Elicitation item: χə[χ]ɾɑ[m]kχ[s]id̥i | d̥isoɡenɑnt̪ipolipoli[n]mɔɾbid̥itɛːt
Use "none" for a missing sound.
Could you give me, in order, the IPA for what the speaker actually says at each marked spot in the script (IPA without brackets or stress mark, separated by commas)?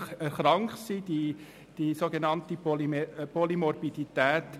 χ, ŋ, s, none